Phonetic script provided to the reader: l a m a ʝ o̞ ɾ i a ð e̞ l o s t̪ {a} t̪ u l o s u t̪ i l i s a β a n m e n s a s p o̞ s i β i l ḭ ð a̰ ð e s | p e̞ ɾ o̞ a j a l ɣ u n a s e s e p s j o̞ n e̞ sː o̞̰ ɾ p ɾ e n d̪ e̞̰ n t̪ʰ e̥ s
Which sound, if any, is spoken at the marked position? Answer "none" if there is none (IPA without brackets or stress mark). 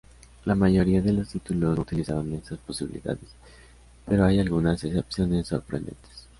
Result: i